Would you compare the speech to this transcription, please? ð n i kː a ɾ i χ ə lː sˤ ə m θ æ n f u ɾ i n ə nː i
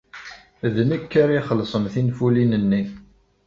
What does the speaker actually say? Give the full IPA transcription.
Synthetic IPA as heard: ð n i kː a ɾ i χ ə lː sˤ ə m θ i n f u l i n ə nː i